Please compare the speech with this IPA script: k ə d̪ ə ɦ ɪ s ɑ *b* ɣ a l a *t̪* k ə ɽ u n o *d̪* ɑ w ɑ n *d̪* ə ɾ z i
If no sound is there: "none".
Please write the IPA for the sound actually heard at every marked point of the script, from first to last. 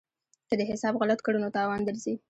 b, t̪, t̪, d̪

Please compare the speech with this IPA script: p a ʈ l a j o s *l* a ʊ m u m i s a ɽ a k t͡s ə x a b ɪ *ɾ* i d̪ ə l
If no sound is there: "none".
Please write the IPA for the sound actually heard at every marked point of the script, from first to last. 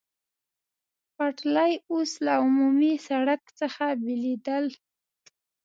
l, l

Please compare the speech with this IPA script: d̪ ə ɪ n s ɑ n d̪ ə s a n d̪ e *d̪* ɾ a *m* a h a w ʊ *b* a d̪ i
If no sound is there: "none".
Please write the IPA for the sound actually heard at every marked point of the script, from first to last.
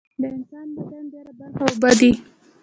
none, b, b

